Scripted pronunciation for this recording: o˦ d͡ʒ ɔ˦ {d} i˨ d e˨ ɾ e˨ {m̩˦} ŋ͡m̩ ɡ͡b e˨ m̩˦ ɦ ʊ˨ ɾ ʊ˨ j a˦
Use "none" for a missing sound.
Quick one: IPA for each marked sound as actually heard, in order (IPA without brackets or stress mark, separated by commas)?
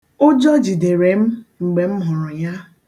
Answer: d͡ʒ, m̩˦